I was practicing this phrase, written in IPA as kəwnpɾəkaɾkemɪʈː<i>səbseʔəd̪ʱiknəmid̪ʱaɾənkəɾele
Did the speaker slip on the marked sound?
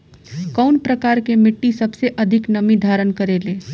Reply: no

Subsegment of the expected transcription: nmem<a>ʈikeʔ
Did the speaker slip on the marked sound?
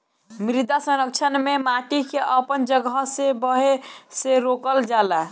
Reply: no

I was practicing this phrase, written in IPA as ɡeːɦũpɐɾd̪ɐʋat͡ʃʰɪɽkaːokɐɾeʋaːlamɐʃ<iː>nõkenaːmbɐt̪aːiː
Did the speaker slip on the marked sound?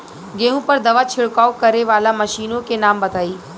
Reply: no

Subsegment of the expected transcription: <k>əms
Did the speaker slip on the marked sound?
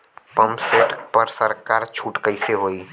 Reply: yes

